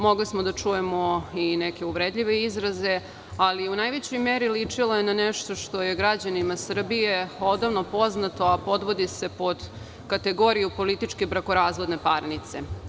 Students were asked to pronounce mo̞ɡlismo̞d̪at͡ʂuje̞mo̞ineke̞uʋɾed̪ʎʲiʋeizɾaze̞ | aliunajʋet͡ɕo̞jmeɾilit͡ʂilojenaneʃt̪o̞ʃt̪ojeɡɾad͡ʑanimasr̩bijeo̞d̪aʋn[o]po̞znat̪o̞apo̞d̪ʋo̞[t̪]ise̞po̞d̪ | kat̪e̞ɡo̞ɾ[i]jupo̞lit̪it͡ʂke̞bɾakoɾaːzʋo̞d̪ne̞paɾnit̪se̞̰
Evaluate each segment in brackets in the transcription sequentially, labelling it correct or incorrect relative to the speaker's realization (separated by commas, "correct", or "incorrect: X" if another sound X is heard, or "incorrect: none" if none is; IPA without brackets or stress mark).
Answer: correct, incorrect: d̪, correct